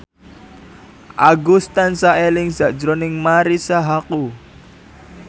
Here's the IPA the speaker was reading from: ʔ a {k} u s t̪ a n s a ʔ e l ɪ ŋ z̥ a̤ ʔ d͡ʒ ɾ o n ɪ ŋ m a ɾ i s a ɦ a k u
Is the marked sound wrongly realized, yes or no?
yes